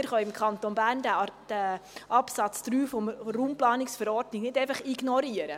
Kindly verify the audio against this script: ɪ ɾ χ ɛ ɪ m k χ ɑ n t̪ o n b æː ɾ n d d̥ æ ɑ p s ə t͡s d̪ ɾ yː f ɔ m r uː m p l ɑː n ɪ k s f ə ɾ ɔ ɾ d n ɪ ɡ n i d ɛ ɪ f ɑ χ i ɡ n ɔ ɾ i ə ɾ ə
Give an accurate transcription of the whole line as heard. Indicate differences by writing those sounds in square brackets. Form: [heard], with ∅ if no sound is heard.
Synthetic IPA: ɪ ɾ χ [œ] ɪ m k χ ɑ n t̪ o n b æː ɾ n d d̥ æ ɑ p s [ɑ] t͡s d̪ ɾ yː f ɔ m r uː m p l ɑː n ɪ k s f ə ɾ ɔ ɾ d n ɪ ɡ n [ɪ] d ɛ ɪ f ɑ χ i ɡ n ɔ ɾ i ə ɾ ə